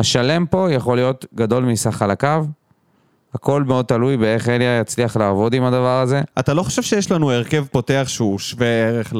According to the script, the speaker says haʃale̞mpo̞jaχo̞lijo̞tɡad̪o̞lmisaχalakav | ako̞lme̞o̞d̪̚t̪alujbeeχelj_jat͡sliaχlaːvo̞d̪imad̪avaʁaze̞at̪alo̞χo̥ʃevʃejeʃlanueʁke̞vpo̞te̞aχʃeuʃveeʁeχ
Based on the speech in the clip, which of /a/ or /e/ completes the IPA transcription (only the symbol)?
a